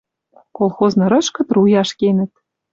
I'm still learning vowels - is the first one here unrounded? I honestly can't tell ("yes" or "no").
no